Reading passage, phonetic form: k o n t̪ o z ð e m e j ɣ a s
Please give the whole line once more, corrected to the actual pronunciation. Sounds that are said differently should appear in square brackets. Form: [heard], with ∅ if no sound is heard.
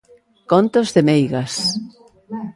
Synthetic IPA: k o n t̪ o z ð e m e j ɣ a s